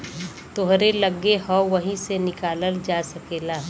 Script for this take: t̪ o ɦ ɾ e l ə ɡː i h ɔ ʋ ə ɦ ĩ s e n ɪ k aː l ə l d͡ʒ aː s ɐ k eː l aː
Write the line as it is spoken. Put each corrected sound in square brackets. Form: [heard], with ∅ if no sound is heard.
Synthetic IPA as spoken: t̪ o ɦ ɾ e l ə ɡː [e] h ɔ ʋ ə ɦ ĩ s e n ɪ k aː l ə l d͡ʒ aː s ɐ k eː l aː